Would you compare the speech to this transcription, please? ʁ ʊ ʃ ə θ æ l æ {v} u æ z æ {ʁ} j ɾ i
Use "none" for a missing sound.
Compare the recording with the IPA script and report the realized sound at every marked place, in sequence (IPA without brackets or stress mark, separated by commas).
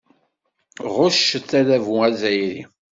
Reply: v, none